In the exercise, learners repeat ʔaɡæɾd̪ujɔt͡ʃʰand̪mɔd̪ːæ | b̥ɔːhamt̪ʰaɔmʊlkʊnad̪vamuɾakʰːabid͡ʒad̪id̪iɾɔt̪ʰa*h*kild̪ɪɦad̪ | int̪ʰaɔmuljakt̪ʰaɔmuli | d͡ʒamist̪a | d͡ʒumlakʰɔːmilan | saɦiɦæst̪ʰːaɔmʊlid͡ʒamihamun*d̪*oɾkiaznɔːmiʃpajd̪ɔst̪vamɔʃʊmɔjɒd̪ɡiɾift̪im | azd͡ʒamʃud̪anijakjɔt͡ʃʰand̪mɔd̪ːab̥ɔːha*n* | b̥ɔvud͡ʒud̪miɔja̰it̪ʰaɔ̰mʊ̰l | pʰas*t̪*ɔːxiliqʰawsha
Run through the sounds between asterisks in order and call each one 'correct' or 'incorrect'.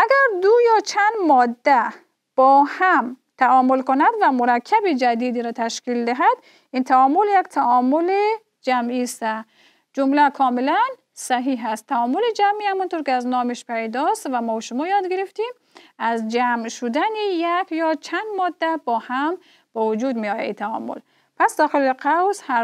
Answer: incorrect: ʃ, incorrect: t̪, incorrect: m, incorrect: d̪

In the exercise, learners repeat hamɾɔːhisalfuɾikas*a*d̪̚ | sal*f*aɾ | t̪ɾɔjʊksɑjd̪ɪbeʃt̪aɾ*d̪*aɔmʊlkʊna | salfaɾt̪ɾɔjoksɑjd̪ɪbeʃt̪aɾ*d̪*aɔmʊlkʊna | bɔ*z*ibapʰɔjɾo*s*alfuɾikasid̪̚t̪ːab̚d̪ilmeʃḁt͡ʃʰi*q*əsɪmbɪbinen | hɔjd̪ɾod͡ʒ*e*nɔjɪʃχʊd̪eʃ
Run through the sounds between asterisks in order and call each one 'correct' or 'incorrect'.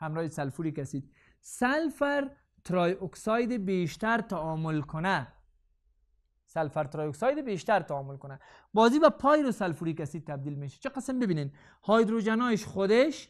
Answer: incorrect: i, correct, incorrect: t̪, incorrect: t̪, correct, correct, correct, incorrect: a

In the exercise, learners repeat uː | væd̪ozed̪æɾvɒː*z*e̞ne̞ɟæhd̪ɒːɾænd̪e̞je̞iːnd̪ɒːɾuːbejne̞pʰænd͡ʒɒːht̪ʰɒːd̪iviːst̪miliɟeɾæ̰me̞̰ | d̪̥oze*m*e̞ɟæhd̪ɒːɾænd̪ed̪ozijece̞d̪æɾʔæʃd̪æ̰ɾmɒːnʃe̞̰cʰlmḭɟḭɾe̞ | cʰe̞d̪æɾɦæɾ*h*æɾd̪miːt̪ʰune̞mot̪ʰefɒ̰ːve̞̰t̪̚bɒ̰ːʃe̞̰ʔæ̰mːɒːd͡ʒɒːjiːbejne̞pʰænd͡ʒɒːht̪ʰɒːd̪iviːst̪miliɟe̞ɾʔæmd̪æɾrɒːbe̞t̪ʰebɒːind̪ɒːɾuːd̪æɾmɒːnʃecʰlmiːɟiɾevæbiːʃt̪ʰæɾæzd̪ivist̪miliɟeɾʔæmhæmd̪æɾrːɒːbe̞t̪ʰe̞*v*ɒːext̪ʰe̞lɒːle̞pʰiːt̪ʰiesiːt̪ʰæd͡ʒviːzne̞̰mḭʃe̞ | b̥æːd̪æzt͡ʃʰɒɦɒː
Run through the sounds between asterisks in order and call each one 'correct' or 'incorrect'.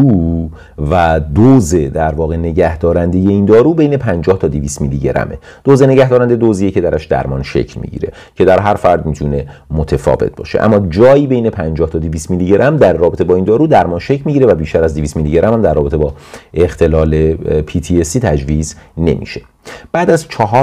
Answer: incorrect: ɣ, incorrect: n, incorrect: f, incorrect: b

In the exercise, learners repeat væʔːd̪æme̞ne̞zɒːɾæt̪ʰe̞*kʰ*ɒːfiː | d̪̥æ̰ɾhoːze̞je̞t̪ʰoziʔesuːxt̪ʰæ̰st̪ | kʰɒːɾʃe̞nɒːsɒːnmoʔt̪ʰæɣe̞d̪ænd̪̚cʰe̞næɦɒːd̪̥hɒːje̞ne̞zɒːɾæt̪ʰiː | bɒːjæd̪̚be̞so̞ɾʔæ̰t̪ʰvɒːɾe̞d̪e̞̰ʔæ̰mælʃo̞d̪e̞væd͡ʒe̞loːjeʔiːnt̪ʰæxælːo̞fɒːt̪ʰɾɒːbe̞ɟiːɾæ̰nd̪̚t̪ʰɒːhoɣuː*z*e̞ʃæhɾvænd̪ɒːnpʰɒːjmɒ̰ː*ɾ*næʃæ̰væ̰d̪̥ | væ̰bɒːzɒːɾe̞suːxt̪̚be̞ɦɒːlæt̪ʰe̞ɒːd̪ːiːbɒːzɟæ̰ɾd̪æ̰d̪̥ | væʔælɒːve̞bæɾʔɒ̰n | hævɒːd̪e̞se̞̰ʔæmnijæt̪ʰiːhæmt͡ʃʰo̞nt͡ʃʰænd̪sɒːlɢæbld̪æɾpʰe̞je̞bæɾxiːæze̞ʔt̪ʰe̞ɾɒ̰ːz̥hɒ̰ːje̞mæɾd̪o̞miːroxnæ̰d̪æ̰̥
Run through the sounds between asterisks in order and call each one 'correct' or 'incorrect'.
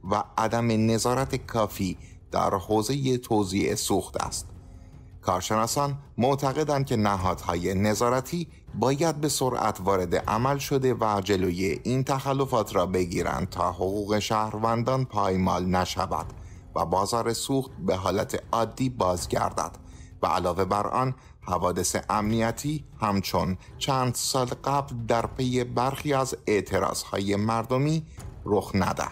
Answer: correct, incorrect: ɣ, incorrect: l

